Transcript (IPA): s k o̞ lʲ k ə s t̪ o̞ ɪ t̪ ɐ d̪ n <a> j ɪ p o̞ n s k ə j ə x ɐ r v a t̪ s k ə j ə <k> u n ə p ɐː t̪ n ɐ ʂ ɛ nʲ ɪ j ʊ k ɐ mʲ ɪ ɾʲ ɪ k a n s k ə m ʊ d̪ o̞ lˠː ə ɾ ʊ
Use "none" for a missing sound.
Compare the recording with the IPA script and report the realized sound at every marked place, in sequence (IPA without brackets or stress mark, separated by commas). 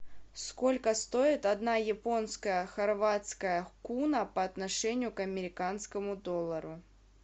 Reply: a, k